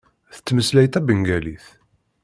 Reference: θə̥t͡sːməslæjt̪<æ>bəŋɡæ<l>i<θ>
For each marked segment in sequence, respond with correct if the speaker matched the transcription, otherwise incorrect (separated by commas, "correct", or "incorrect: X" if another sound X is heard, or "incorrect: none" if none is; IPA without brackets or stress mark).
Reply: correct, correct, correct